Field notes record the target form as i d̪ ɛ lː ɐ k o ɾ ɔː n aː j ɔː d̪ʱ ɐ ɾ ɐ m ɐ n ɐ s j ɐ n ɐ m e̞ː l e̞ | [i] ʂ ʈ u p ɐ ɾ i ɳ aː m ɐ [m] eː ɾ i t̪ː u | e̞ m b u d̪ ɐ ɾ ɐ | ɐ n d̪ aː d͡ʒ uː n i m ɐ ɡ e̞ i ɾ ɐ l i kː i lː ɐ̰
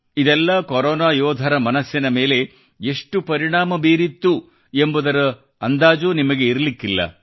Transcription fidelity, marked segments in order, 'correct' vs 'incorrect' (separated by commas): incorrect, incorrect